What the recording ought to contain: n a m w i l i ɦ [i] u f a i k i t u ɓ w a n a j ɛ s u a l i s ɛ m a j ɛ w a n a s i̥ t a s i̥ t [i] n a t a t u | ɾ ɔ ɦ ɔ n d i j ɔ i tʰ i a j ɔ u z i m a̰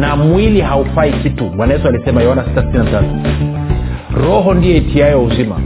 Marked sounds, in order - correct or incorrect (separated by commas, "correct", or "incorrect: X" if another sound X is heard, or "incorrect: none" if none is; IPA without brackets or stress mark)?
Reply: incorrect: a, correct